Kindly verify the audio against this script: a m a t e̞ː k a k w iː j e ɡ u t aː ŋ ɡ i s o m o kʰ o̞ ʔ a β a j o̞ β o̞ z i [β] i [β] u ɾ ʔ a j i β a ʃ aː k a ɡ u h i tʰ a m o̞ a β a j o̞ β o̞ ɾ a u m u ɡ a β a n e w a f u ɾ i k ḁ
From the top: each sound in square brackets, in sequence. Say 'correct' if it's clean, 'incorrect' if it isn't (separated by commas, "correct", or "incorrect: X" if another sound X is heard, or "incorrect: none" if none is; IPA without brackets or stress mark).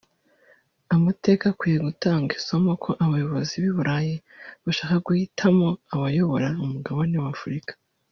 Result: correct, correct